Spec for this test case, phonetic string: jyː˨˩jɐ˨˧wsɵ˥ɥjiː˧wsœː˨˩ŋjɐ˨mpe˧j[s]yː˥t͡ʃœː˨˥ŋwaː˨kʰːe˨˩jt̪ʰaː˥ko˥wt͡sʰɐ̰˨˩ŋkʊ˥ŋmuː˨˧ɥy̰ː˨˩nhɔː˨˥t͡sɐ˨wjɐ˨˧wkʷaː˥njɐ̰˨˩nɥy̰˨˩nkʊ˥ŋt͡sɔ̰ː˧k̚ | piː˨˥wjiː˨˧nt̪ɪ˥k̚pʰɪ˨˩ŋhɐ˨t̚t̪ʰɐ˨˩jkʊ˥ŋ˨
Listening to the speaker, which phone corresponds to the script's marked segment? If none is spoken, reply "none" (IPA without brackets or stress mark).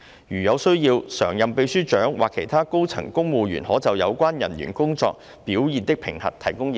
s